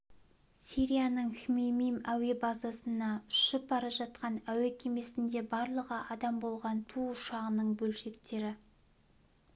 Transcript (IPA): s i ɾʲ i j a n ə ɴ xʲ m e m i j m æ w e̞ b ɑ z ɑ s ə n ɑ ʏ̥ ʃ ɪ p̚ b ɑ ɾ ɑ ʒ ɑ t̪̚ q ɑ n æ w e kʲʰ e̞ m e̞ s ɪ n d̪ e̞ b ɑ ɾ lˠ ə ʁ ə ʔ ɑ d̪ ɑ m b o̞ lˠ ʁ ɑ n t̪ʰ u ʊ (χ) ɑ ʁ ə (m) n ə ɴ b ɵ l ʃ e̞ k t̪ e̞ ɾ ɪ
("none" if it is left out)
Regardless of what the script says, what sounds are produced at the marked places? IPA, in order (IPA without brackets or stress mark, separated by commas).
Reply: ʃ, none